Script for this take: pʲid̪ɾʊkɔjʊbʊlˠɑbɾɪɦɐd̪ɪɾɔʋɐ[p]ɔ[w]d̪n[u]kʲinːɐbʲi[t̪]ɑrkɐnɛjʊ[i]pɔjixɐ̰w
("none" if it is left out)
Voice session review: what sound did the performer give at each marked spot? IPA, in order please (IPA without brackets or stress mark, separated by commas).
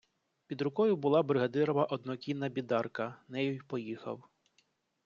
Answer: ʔ, none, ɔ, d̪, j